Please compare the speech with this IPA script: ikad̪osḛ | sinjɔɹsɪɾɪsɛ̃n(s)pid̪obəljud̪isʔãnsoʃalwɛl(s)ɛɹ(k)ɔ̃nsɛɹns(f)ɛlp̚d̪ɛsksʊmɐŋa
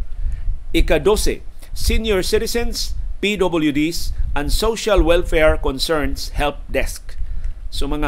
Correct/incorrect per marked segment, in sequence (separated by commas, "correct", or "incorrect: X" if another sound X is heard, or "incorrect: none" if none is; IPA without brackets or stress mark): correct, incorrect: f, correct, incorrect: h